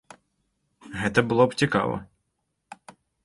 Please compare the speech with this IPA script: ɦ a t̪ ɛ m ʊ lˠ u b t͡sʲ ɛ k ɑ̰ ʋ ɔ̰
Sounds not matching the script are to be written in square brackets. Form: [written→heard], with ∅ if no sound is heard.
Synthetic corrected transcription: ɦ [a→ɛ] t̪ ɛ [m→b] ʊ lˠ [u→ɔ] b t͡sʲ [ɛ→i] k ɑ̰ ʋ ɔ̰

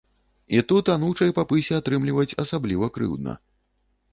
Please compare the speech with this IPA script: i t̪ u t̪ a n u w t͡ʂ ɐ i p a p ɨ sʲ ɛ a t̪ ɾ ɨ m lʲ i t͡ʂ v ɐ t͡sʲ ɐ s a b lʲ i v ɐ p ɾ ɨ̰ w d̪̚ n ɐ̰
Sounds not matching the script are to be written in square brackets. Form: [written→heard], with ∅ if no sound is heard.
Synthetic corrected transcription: i t̪ u t̪ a n u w t͡ʂ ɐ [i→j] p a p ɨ sʲ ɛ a t̪ ɾ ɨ m lʲ i [t͡ʂ→∅] v ɐ t͡sʲ ɐ s a b lʲ i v ɐ [p→k] ɾ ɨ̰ w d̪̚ n ɐ̰

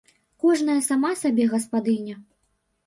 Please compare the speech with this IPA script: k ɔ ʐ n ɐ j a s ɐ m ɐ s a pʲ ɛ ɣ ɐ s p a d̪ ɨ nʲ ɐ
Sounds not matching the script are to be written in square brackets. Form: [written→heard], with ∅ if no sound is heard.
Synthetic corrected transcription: k ɔ ʐ n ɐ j [a→ɐ] s [ɐ→a] m [ɐ→a] s a [pʲ→bʲ] ɛ ɣ ɐ s p a d̪ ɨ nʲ ɐ

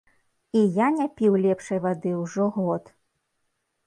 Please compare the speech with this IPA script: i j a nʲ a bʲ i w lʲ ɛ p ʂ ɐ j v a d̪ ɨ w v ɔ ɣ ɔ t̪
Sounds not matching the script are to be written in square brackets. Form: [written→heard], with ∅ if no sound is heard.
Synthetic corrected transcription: i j a nʲ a [bʲ→pʲ] i w lʲ ɛ p ʂ ɐ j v a d̪ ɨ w [v→ʐ] ɔ ɣ ɔ t̪

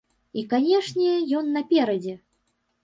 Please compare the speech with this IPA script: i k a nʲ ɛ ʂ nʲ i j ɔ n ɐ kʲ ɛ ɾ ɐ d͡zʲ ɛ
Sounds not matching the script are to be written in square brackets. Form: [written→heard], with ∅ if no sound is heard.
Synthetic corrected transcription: i k a nʲ ɛ ʂ nʲ [i→ɛ] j ɔ [n→nː] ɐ [kʲ→pʲ] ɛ ɾ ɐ d͡zʲ ɛ

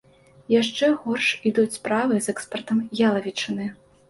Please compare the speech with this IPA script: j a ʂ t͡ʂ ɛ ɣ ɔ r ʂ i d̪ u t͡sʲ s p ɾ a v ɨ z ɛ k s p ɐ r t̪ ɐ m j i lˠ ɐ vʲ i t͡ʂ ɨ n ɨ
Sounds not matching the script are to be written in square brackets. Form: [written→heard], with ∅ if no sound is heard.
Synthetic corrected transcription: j a ʂ t͡ʂ ɛ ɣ ɔ r ʂ i d̪ u t͡sʲ s p ɾ a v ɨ z ɛ k s p ɐ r t̪ ɐ m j [i→a] lˠ ɐ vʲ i t͡ʂ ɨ n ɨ

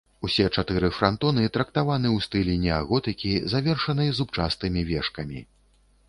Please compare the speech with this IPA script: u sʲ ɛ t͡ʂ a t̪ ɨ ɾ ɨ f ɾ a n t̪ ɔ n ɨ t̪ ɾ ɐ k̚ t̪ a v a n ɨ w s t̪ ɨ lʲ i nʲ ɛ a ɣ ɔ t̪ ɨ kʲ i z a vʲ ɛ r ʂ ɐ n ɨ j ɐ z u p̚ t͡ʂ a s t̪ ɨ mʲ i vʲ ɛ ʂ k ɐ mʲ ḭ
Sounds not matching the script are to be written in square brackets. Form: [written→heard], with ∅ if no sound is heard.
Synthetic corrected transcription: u sʲ ɛ t͡ʂ a t̪ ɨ ɾ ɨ f ɾ a n t̪ ɔ n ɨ t̪ ɾ ɐ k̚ t̪ a v a n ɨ w s t̪ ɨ lʲ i nʲ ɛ a ɣ ɔ t̪ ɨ kʲ i z a vʲ ɛ r ʂ ɐ n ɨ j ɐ z u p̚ t͡ʂ a s t̪ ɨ mʲ i vʲ ɛ ʂ k ɐ mʲ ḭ

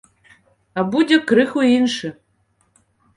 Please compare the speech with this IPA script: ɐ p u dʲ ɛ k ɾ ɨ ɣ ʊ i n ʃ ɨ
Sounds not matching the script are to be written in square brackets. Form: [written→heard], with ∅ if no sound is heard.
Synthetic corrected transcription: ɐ [p→b] u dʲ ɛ k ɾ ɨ [ɣ→x] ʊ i n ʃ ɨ

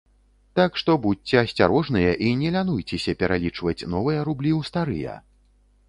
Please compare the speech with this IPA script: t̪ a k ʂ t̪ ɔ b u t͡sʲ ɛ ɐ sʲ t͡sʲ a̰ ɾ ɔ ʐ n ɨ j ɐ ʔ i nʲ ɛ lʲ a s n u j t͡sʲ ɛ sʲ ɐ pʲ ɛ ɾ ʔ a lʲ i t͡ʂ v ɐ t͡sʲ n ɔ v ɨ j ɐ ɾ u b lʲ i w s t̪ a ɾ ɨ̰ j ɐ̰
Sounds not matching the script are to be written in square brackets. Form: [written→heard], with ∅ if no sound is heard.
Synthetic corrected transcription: t̪ a k ʂ t̪ ɔ b u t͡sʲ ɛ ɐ sʲ t͡sʲ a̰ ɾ ɔ ʐ n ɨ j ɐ ʔ i nʲ ɛ lʲ a [s→∅] n u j t͡sʲ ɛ sʲ ɐ pʲ ɛ ɾ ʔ a lʲ i t͡ʂ v ɐ t͡sʲ n ɔ v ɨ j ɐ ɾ u b lʲ i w s t̪ a ɾ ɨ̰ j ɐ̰

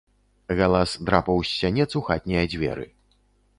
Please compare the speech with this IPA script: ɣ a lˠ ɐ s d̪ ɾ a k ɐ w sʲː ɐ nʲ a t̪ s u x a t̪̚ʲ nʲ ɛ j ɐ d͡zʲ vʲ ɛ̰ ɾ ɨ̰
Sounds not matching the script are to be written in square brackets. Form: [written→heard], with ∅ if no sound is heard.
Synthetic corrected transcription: ɣ a lˠ [ɐ→a] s d̪ ɾ a [k→p] ɐ w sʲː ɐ nʲ [a→ɛ] t̪ s u x a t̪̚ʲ nʲ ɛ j ɐ d͡zʲ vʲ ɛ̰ ɾ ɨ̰

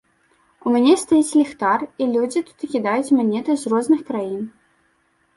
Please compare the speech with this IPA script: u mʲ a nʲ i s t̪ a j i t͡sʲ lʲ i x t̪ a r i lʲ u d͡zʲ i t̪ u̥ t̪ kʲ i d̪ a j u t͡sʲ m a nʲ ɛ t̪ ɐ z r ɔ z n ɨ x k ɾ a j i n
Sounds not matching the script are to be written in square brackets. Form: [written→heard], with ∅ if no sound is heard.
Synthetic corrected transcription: u mʲ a nʲ [i→ɛ] s t̪ a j i t͡sʲ lʲ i x t̪ a r i lʲ u d͡zʲ i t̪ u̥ t̪ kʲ i d̪ a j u t͡sʲ m a nʲ ɛ t̪ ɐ z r ɔ z n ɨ x k ɾ a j i n

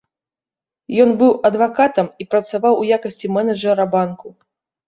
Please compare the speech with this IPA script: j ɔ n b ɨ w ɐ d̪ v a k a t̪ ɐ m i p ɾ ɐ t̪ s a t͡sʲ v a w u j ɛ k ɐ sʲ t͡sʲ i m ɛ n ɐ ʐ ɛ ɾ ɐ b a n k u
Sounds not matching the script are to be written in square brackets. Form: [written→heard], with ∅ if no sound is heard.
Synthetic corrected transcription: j ɔ n b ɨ w ɐ d̪ v a k a t̪ ɐ m i p ɾ ɐ t̪ s a [t͡sʲ→∅] v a w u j [ɛ→a] k ɐ sʲ t͡sʲ i m ɛ n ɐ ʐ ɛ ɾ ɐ b a n k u

